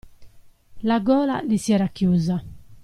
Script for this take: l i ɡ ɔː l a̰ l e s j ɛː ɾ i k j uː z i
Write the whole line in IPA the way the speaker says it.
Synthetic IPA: l a ɡ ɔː l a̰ l i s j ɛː ɾ a k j uː z a